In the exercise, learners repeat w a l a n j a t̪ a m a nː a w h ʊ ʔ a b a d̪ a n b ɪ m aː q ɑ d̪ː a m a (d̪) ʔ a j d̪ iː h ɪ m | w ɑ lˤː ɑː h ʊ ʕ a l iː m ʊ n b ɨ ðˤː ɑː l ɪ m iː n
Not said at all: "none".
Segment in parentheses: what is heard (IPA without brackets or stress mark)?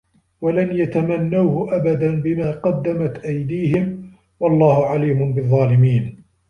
t̪